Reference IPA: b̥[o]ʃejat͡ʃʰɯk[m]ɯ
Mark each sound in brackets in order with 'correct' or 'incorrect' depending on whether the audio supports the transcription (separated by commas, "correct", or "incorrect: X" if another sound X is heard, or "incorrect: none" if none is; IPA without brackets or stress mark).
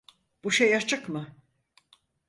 incorrect: u, correct